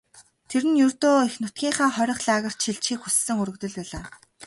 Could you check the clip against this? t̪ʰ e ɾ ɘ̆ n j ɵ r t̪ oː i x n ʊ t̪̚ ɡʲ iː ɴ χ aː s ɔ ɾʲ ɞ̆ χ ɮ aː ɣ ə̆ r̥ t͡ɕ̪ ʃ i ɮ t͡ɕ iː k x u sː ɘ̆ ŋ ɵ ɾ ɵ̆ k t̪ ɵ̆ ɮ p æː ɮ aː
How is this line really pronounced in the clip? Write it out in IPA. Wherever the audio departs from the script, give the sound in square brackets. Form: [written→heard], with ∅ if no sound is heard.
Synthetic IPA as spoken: t̪ʰ e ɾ ɘ̆ n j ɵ r t̪ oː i x n ʊ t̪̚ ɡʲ iː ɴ χ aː [s→χ] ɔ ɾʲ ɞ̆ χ ɮ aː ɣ ə̆ r̥ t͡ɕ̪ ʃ i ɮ t͡ɕ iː k x u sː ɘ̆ ŋ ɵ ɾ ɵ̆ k t̪ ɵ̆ ɮ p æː ɮ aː